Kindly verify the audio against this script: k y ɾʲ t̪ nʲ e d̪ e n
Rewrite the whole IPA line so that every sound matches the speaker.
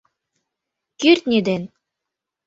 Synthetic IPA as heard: k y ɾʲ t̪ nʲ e d̪ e n

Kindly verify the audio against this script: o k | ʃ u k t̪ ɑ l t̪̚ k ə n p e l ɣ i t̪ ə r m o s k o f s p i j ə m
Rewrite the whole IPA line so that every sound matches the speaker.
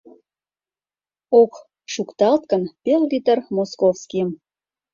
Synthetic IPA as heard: o k | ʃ u k t̪ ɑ l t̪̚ k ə n p e l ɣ i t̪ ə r m o s k o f s k i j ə m

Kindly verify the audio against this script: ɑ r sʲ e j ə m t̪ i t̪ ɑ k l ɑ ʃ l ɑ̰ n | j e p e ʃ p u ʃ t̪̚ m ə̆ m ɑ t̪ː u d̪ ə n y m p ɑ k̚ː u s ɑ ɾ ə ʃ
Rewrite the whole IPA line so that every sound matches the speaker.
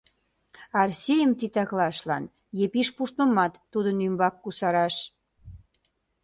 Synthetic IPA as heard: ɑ r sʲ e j ə m t̪ i t̪ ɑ k l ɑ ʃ l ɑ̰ n | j e p i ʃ p u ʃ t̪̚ m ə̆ m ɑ t̪ː u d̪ ə n y m b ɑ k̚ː u s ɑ ɾ ɑ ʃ

